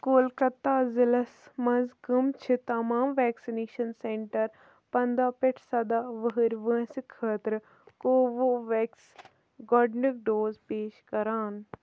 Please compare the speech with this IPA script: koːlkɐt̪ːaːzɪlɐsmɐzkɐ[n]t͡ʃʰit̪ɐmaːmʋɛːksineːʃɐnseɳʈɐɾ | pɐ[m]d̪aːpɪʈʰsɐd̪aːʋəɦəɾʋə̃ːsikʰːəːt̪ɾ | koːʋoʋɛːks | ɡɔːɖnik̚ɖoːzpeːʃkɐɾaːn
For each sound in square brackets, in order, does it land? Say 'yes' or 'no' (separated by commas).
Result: no, no